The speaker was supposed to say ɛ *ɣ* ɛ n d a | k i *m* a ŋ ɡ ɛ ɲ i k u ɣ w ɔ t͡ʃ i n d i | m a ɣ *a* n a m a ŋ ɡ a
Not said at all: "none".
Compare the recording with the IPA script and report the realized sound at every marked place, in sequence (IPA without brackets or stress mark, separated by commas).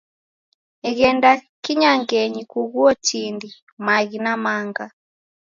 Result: ɣ, ɲ, i